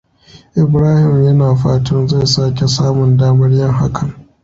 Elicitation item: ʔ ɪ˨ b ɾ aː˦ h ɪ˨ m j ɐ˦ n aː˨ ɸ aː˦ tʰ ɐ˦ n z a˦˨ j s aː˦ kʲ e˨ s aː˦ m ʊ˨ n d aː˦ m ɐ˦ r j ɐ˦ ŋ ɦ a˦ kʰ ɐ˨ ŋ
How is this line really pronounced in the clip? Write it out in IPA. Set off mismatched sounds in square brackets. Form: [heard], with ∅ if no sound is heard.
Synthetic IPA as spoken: ʔ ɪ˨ b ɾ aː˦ h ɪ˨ m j ɐ˦ n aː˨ ɸ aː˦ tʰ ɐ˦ n z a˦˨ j s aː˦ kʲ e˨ s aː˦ m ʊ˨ n d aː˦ m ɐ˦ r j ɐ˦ ŋ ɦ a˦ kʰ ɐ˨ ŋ

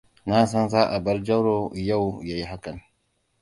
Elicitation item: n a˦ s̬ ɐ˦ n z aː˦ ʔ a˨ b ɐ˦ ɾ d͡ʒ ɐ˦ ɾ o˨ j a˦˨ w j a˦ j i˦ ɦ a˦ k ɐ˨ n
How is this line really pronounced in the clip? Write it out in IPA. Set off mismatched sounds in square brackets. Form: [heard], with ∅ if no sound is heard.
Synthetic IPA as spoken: n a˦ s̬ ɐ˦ n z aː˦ ʔ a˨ b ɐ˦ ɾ d͡ʒ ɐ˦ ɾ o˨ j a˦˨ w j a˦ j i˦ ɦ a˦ k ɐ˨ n

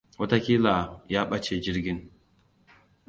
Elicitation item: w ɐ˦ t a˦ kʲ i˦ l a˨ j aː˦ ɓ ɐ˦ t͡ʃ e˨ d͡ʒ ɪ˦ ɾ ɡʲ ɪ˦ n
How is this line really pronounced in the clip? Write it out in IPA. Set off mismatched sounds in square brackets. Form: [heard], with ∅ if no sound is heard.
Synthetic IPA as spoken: w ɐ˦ t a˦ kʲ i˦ l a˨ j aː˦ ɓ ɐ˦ t͡ʃ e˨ d͡ʒ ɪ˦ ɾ ɡʲ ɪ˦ n

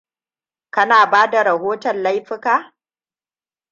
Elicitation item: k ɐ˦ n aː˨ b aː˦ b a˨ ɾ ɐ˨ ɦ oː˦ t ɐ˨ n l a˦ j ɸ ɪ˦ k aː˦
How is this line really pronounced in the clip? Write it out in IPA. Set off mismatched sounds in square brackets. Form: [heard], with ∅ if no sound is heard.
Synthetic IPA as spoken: k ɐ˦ n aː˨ b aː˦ [d] a˨ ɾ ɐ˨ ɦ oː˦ t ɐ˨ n l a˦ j ɸ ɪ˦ k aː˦

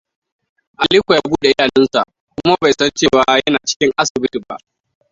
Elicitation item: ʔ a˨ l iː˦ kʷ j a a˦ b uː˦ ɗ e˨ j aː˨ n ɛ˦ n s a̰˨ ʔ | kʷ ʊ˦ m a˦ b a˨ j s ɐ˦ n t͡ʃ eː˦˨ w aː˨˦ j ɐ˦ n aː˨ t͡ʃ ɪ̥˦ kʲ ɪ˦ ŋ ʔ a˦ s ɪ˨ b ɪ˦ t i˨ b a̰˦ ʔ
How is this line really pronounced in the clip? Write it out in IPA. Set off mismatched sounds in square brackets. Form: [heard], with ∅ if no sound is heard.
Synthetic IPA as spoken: ʔ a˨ l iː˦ kʷ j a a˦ b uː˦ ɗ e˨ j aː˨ n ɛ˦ n s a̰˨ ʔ | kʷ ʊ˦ m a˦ b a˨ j s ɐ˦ n t͡ʃ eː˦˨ w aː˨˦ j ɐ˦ n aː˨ t͡ʃ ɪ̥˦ kʲ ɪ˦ ŋ ʔ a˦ s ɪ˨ b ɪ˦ t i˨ b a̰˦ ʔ

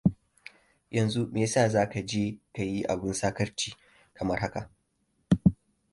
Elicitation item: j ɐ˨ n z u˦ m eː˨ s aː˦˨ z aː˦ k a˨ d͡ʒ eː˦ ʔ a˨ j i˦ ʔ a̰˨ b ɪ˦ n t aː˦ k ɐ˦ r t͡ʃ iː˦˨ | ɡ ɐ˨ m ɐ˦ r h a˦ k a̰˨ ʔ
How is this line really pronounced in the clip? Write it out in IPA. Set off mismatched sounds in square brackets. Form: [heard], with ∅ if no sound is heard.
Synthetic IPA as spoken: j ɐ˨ n z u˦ m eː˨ s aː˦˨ z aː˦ k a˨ d͡ʒ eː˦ [k] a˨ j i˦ ʔ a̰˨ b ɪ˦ n [s] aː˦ k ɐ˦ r t͡ʃ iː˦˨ | [k] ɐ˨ m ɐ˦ r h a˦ k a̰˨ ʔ

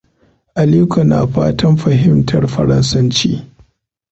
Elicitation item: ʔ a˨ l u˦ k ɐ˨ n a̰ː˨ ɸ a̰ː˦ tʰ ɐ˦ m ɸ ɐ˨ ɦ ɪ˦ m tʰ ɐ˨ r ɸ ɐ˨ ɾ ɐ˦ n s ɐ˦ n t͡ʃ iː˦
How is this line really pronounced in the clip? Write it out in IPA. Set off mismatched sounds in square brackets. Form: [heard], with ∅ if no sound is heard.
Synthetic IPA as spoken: ʔ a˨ l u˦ k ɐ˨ n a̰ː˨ ɸ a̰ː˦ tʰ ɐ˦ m ɸ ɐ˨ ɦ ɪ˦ m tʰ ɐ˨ r ɸ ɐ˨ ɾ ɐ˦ n s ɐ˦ n t͡ʃ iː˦

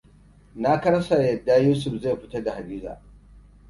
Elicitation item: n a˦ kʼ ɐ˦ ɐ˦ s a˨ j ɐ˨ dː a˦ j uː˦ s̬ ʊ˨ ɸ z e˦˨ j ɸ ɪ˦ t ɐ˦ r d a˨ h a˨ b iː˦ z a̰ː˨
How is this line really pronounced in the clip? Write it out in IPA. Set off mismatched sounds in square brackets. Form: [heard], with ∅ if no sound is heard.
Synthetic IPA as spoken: n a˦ [k] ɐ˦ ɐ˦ s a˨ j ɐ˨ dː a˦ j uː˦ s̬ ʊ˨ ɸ z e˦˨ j ɸ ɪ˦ t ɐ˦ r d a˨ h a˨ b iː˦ z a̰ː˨

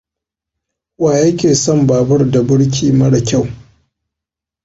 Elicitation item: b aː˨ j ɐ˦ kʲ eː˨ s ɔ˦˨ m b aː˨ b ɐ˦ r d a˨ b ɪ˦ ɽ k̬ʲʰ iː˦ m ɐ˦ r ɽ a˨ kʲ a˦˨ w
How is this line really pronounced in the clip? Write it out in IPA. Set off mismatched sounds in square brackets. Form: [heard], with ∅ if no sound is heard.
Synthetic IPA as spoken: [w] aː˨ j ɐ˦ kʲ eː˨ s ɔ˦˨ m b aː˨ b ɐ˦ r d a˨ b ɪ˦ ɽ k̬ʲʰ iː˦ m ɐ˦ [∅] ɽ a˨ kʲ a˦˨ w

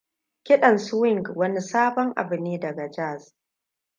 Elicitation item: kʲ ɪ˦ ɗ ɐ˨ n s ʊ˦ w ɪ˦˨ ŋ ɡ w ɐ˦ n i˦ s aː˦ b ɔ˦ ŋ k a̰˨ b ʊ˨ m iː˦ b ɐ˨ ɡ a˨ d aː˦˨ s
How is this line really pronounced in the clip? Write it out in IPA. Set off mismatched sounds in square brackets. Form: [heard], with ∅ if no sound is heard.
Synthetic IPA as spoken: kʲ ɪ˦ ɗ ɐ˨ n s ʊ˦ w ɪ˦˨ ŋ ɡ w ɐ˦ n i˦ s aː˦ b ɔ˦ ŋ [ʔ] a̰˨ b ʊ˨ [n] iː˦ [d] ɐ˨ ɡ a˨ [d͡ʒ] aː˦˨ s

